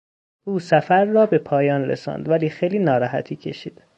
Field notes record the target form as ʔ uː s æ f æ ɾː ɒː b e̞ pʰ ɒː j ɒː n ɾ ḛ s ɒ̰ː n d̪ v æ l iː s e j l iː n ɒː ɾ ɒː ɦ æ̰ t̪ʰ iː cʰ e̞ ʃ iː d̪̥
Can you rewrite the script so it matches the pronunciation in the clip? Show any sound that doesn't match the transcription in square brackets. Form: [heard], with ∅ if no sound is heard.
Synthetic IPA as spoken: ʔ uː s æ f æ ɾː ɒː b e̞ pʰ ɒː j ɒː n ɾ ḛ s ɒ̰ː n d̪ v æ l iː [x] e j l iː n ɒː ɾ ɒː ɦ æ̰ t̪ʰ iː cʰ e̞ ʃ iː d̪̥